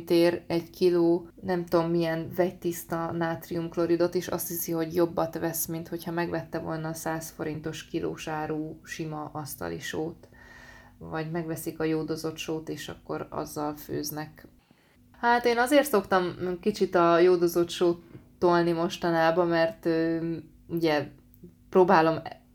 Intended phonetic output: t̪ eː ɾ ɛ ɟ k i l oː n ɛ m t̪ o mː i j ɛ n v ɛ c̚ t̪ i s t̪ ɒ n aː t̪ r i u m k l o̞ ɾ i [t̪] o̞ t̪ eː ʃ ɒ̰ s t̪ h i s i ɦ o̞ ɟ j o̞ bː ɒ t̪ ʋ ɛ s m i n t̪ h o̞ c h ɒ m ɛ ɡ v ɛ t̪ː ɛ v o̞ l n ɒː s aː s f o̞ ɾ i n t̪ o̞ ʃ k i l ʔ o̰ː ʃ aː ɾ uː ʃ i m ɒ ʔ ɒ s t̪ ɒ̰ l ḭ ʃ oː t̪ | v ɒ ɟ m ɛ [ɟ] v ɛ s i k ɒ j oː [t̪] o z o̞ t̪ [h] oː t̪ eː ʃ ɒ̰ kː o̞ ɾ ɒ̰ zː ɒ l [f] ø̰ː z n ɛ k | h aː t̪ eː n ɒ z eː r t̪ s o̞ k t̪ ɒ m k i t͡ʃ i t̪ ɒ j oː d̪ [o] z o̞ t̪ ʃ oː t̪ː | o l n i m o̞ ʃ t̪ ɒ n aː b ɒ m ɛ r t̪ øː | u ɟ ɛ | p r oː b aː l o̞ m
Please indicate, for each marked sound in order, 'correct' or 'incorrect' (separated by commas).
incorrect, incorrect, incorrect, incorrect, correct, correct